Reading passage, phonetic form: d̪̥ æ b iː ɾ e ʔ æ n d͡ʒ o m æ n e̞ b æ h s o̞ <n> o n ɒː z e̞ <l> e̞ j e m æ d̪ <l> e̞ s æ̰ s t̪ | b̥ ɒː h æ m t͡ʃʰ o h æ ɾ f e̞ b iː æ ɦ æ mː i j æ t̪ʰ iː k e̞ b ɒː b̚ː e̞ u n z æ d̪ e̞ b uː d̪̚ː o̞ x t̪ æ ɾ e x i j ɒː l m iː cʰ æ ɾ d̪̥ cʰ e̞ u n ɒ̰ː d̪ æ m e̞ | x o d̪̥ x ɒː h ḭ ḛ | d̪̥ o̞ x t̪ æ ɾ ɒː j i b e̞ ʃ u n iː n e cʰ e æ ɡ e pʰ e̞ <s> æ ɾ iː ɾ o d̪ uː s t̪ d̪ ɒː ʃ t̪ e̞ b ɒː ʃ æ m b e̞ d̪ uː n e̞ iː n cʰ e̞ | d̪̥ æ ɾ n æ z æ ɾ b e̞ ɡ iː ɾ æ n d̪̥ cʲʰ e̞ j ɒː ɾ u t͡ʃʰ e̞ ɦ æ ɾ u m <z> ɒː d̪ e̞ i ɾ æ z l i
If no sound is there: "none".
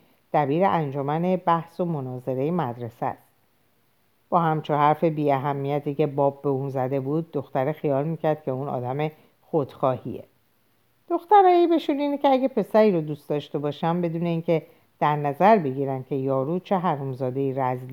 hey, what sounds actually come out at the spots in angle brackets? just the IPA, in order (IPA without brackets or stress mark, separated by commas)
m, ɾ, ɾ, s, z